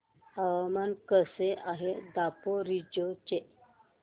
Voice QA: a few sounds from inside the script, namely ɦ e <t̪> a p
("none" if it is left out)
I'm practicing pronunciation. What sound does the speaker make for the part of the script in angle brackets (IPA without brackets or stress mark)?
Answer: d̪